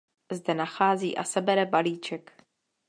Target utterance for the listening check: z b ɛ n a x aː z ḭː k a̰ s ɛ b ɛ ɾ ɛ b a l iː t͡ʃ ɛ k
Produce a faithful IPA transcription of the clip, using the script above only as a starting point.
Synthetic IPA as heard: z d ɛ n a x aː z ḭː ʔ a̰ s ɛ b ɛ ɾ ɛ b a l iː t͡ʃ ɛ k